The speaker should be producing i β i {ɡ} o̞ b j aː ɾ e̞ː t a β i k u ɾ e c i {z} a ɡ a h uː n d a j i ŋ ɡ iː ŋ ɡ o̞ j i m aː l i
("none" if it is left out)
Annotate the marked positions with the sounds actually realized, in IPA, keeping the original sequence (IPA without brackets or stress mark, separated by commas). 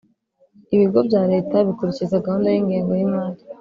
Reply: ɡ, z